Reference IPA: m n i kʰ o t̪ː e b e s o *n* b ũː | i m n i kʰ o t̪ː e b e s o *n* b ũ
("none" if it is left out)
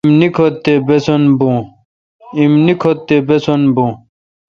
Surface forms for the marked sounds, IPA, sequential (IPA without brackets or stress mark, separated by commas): n, n